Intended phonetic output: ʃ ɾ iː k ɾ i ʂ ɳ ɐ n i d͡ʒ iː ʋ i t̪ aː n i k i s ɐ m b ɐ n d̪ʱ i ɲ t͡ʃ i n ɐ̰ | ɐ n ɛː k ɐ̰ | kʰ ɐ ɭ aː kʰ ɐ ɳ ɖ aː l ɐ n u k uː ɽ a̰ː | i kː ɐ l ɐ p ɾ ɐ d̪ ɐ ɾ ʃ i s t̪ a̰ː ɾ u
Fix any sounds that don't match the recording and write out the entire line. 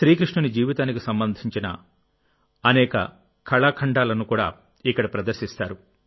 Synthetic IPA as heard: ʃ ɾ iː k ɾ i ʂ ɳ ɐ n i d͡ʒ iː ʋ i t̪ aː n i k i s ɐ m b ɐ n d̪ʱ i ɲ t͡ʃ i n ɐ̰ | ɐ n ɛː k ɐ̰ | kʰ ɐ ɭ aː kʰ ɐ ɳ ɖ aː l ɐ n u k uː ɽ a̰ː | i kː ɐ ɽ ɐ p ɾ ɐ d̪ ɐ ɾ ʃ i s t̪ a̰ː ɾ u